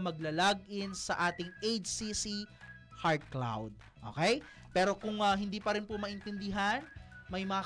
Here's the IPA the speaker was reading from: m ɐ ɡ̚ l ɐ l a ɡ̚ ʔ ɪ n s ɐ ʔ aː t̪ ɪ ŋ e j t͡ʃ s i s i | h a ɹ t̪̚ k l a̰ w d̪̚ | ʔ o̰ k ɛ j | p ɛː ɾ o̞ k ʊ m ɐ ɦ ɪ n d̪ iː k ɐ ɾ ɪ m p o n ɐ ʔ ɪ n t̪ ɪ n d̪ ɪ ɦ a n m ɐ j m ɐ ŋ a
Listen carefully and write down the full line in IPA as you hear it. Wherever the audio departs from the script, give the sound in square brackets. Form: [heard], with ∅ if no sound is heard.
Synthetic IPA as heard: m ɐ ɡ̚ l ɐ l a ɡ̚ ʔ ɪ n s ɐ ʔ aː t̪ ɪ ŋ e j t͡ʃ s i s i | h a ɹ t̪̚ k l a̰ w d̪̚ | ʔ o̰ k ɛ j | p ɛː ɾ o̞ k ʊ [ŋ] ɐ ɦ ɪ n d̪ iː [p] ɐ ɾ ɪ [n] p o [m] ɐ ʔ ɪ n t̪ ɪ n d̪ ɪ ɦ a n m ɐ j m ɐ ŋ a